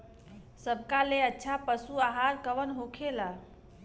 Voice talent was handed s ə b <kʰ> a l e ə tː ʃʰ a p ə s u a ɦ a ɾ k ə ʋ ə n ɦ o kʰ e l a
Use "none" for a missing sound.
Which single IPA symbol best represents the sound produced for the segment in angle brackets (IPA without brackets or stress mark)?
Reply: k